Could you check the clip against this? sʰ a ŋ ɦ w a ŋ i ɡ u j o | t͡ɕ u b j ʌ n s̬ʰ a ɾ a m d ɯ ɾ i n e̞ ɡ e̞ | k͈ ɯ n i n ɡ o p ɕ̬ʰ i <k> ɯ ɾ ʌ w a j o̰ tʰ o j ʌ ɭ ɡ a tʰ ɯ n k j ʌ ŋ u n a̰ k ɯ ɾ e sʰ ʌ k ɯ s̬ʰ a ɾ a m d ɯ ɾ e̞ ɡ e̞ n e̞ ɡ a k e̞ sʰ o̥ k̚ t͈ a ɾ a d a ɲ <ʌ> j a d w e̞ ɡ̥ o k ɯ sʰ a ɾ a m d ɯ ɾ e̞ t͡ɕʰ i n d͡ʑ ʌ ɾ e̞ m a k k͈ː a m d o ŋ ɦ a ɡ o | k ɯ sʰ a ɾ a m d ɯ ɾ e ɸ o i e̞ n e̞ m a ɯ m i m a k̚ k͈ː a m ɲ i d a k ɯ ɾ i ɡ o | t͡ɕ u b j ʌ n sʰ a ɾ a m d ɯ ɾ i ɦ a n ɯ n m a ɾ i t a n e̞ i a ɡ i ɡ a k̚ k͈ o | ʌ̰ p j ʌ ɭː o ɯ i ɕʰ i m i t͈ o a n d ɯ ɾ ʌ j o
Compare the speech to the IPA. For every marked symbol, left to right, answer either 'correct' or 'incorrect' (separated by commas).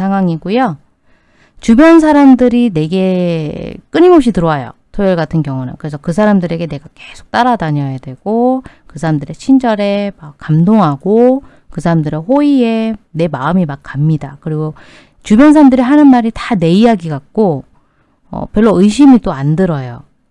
incorrect, correct